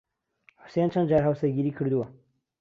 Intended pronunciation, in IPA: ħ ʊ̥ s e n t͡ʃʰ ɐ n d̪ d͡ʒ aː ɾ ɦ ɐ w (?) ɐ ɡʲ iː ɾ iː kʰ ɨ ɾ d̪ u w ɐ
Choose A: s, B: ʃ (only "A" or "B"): A